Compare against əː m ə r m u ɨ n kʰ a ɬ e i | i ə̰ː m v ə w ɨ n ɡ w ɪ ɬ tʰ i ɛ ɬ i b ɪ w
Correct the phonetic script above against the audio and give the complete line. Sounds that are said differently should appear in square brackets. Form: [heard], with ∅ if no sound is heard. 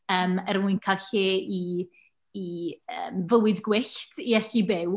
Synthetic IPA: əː m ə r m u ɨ n kʰ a ɬ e i | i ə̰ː m v ə w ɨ [d] ɡ w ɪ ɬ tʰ i ɛ ɬ i b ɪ w